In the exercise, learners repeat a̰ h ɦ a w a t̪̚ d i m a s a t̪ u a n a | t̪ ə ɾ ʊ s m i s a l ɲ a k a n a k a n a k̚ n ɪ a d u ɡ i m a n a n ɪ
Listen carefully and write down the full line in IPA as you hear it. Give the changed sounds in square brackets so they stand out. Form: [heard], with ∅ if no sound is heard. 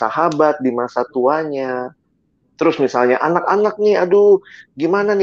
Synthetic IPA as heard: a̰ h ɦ a [b] a t̪̚ d i m a s a t̪ u a [ɲ] a | t̪ ə ɾ ʊ s m i s a l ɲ a [ʔ] a n a k a n a k̚ n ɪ a d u ɡ i m a n a n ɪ